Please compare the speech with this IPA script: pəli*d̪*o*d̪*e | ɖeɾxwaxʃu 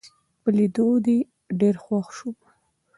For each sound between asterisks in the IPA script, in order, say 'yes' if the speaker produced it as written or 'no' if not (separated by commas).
yes, yes